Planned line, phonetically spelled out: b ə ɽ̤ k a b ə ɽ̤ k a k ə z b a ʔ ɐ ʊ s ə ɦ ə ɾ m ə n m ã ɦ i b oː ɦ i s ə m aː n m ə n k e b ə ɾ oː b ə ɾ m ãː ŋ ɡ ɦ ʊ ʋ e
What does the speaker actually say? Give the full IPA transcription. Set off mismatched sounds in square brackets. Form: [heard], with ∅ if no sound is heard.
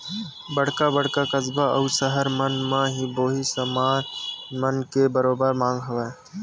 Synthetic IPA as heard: b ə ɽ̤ k a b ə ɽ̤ k a k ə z b a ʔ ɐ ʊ s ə ɦ ə ɾ m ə n m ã ɦ i b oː ɦ i s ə m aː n m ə n k e b ə ɾ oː b ə ɾ m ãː ŋ ɡ ɦ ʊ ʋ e